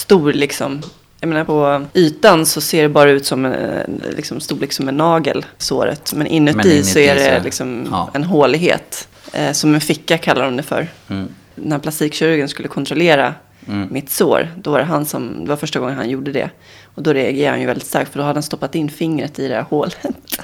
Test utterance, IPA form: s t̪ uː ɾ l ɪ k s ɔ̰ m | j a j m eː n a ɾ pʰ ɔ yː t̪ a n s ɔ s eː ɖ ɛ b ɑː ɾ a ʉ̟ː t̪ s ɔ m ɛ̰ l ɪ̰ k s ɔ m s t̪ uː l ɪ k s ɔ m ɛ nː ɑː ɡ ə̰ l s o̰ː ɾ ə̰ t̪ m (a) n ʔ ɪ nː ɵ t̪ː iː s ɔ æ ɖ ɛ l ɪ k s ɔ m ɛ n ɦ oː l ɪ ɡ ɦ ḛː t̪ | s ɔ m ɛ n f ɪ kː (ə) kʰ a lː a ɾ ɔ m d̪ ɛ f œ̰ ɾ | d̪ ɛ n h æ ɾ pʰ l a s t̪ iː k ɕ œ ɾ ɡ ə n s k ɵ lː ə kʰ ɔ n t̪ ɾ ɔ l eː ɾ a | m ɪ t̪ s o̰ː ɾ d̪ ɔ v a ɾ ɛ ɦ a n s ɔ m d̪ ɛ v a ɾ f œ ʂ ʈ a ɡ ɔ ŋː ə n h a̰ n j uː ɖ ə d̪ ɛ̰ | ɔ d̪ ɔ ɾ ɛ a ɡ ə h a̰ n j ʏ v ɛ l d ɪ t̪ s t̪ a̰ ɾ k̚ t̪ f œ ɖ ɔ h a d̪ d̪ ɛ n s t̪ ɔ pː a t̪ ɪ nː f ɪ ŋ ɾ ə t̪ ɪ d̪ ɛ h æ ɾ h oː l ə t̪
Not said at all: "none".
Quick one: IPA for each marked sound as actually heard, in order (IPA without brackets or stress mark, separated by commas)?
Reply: ɛ, a